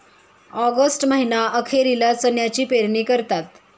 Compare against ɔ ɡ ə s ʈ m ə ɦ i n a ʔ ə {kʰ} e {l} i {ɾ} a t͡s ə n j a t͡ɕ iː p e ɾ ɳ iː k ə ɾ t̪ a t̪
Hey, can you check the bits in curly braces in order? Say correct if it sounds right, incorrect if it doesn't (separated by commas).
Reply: correct, incorrect, incorrect